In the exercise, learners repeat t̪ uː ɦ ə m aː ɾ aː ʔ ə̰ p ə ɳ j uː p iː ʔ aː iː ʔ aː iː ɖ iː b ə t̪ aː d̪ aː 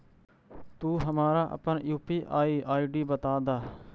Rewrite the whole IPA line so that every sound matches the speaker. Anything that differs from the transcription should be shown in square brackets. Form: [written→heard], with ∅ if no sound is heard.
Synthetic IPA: t̪ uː ɦ ə m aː ɾ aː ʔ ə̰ p ə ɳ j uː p iː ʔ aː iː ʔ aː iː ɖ iː b ə t̪ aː d̪ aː